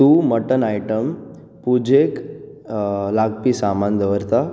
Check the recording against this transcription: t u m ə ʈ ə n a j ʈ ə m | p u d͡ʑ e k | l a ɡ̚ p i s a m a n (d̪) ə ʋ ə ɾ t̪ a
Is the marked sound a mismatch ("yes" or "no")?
no